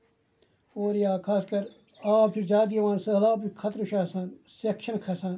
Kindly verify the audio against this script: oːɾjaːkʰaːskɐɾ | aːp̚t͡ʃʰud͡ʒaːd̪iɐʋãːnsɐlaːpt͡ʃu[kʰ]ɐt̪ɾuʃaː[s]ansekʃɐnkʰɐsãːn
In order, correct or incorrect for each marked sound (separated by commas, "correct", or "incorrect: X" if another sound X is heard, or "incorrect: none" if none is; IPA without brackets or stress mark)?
correct, correct